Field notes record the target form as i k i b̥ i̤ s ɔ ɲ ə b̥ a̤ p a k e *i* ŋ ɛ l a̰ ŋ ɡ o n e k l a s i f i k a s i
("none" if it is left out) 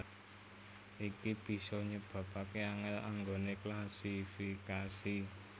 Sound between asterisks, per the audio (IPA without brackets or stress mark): a